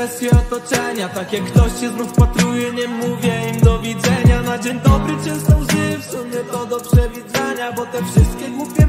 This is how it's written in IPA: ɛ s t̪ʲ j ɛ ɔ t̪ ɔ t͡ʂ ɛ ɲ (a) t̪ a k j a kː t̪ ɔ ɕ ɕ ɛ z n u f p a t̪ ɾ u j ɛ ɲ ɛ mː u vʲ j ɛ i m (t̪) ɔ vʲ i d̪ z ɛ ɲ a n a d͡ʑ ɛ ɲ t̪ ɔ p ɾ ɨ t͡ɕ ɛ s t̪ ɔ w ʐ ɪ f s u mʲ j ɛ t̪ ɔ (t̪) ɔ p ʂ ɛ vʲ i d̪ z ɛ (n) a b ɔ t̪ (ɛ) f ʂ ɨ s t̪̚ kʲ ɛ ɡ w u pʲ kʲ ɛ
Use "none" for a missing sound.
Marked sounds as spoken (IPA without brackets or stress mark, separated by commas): a, d̪, d̪, ɲ, ɛ